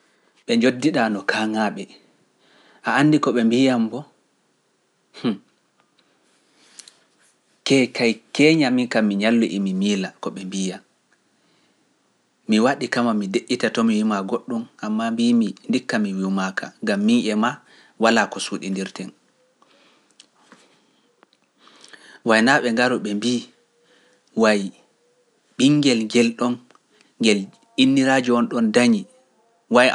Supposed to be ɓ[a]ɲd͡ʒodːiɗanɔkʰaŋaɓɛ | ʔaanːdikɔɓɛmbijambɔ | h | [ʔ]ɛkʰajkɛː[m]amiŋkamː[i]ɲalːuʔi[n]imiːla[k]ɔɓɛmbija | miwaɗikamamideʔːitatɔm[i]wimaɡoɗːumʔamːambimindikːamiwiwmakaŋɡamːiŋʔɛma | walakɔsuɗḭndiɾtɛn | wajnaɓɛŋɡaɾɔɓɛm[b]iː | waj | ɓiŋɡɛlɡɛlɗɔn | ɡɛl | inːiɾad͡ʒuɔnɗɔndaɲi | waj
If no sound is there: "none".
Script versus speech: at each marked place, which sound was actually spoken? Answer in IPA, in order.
ɛ, k, ɲ, i, m, k, i, b

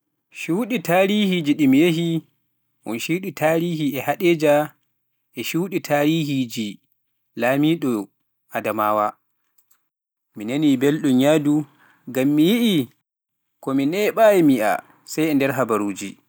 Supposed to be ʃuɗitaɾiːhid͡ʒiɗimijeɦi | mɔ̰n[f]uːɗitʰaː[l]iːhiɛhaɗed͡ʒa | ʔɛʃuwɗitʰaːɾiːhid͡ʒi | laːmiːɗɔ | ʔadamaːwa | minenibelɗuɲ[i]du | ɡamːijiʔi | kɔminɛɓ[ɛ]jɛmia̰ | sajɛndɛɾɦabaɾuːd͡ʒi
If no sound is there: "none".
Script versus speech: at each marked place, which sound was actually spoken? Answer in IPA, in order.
ʃ, ɾ, a, a

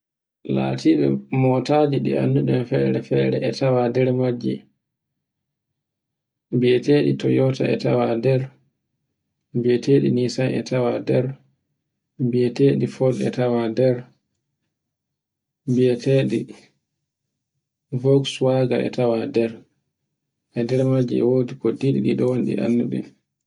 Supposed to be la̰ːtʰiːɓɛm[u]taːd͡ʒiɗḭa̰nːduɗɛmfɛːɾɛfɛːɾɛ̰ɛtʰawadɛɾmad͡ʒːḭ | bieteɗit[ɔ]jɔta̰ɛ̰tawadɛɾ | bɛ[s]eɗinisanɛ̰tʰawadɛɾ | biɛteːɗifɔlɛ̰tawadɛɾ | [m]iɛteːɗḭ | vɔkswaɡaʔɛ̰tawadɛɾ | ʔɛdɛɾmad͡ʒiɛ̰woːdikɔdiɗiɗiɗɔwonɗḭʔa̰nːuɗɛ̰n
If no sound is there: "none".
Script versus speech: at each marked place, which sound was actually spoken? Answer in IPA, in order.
ɔ, ɔ, t, b

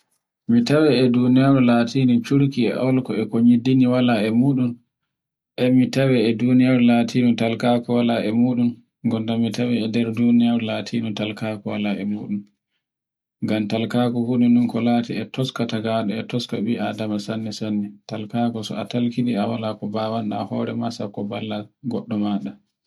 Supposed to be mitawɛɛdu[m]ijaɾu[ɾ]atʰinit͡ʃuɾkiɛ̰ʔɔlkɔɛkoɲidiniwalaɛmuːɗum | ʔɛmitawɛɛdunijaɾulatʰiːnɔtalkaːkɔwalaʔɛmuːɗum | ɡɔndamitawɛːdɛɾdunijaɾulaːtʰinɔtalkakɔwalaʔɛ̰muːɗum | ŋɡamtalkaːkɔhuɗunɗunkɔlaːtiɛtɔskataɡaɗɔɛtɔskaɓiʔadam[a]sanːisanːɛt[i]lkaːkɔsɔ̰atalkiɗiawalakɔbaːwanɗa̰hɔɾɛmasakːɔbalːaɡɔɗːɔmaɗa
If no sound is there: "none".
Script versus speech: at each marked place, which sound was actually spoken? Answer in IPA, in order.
n, l, a, a

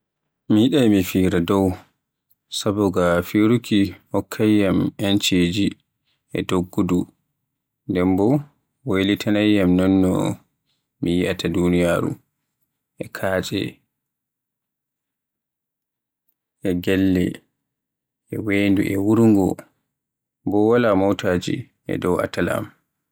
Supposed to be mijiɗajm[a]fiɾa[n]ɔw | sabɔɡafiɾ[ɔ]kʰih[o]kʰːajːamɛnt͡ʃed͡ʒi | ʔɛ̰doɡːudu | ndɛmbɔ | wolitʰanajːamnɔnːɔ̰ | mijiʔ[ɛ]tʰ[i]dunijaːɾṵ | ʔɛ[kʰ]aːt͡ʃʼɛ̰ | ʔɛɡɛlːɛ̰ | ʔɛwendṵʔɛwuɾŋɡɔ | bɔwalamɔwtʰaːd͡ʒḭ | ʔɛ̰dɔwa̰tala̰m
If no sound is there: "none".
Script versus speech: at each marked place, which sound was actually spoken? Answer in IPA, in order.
i, d, u, ɔ, a, a, kʰ

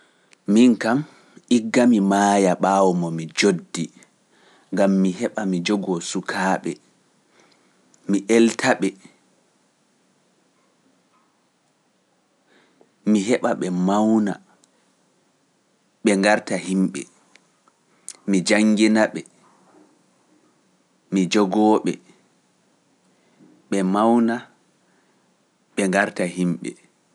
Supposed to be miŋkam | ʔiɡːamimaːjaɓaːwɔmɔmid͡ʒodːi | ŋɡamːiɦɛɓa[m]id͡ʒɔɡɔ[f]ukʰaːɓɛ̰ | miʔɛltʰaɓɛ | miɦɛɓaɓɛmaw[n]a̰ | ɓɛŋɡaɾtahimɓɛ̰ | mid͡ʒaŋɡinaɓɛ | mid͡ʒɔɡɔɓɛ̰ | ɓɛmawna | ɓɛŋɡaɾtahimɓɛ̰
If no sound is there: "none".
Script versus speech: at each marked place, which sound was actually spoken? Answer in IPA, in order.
m, s, n

